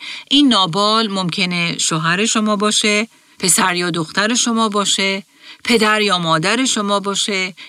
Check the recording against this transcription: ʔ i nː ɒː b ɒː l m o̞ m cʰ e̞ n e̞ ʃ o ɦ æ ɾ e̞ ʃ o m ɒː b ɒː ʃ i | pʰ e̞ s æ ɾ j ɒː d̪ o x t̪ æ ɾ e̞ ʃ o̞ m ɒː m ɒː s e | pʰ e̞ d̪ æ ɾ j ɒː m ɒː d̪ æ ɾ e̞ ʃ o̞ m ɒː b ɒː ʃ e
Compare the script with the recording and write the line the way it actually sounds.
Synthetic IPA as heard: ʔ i nː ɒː b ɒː l m o̞ m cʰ e̞ n e̞ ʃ o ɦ æ ɾ e̞ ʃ o m ɒː b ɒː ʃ e | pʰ e̞ s æ ɾ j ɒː d̪ o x t̪ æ ɾ e̞ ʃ o̞ m ɒː b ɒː ʃ e | pʰ e̞ d̪ æ ɾ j ɒː m ɒː d̪ æ ɾ e̞ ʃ o̞ m ɒː b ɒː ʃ e